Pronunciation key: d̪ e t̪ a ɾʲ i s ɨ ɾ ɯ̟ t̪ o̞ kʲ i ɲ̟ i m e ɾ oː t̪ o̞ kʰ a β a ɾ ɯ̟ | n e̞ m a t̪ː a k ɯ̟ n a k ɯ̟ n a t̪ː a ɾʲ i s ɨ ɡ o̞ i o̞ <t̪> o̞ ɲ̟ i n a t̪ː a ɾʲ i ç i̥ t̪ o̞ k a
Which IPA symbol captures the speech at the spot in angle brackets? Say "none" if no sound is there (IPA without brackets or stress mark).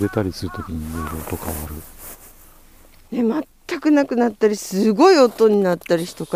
t̪